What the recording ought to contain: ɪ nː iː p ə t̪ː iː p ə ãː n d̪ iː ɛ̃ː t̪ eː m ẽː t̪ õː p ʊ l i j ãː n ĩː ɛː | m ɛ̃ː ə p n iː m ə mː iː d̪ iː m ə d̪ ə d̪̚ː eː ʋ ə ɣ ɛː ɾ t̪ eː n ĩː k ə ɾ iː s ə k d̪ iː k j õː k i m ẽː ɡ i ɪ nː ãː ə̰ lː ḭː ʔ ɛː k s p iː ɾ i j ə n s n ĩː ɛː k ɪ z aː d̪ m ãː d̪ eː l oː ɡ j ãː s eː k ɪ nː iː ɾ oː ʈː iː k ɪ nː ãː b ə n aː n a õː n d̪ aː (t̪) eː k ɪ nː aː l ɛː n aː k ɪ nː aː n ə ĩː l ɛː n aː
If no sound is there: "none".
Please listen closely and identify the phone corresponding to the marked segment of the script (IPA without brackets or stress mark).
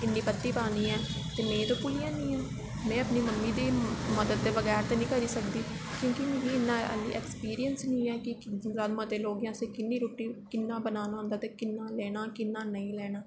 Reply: t̪